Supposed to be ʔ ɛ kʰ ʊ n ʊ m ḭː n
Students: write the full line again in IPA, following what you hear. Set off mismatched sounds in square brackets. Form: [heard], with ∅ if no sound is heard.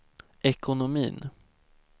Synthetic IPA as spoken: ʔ ɛ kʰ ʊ n ʊ m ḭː n